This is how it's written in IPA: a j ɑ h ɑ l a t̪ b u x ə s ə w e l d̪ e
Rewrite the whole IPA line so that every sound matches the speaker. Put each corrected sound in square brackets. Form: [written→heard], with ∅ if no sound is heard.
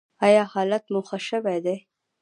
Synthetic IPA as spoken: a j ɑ h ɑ l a t̪ [b→m] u x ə [s→ʃ] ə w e [l→∅] d̪ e

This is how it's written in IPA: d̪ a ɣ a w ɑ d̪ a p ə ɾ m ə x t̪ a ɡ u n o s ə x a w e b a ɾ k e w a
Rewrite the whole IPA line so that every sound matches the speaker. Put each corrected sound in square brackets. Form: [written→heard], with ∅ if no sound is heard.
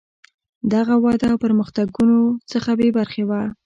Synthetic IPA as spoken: d̪ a ɣ a w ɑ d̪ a p ə ɾ m ə x t̪ a ɡ u n o [s→t͡s] ə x a [w→b] e b a ɾ [k→x] e w a

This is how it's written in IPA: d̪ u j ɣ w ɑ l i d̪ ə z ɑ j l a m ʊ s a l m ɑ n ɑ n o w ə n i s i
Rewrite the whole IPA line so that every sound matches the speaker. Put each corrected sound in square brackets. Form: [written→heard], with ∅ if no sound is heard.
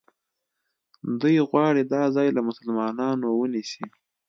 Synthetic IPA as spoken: d̪ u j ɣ w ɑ [l→ɽ] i d̪ [ə→ɑ] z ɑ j l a m ʊ s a l m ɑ n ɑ n o w ə n i s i

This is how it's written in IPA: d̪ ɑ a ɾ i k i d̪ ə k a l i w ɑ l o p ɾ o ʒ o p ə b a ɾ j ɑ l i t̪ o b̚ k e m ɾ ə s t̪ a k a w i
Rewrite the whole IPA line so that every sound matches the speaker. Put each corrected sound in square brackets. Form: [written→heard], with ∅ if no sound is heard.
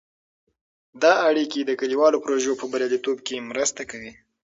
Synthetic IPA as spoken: d̪ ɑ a [ɾ→ɽ] i k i d̪ ə k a l i w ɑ l o p ɾ o ʒ o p ə b a ɾ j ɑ l i t̪ o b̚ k e m ɾ ə s t̪ a k a w i

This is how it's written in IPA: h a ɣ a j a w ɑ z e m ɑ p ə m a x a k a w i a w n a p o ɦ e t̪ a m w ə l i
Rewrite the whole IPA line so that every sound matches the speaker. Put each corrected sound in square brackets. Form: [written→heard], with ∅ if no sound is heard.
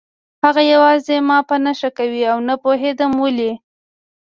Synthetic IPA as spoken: h a ɣ a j a w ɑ z e m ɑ p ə [m→n] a [x→ʃ] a k a w i a w n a p o ɦ e [t̪→d̪] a m w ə l i

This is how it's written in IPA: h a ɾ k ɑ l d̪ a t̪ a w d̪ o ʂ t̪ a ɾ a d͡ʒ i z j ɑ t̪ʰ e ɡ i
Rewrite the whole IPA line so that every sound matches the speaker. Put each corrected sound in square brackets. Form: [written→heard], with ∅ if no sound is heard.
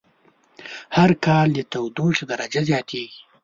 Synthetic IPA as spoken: h a ɾ k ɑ l d̪ [a→ə] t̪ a w d̪ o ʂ [t̪→d̪] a ɾ a d͡ʒ [i→a] z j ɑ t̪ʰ e ɡ i

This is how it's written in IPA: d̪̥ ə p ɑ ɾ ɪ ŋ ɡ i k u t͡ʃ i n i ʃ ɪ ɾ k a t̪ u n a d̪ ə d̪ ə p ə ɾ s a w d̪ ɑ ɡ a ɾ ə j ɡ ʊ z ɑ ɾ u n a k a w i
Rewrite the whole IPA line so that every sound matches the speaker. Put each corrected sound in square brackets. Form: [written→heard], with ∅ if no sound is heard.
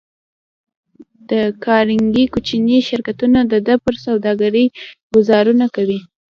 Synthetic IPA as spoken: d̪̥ ə [p→k] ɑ ɾ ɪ ŋ ɡ i k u t͡ʃ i n i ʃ ɪ ɾ k a t̪ u n a d̪ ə d̪ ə p ə ɾ s a w d̪ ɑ ɡ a ɾ ə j ɡ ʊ z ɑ ɾ u n a k a w i

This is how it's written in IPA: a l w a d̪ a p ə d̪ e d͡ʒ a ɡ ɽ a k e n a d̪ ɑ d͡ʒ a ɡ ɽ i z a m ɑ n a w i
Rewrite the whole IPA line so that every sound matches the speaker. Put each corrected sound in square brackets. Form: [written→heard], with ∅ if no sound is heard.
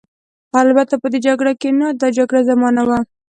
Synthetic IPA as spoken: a l [w→b] a [d̪→t̪] a p ə d̪ e d͡ʒ a ɡ ɽ a k e n a d̪ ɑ d͡ʒ a ɡ ɽ [i→a] z a m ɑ n a w [i→a]

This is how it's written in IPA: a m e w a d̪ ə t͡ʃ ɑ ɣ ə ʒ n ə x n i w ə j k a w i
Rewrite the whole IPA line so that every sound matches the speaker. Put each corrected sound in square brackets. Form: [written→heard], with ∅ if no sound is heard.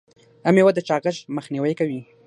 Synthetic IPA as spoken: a m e w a d̪ ə t͡ʃ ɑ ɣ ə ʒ [n→m] ə x n i w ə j k a w i

